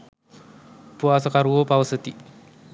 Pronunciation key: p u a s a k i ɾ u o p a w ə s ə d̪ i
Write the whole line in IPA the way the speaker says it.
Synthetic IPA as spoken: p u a s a k a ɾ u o p a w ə s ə t̪ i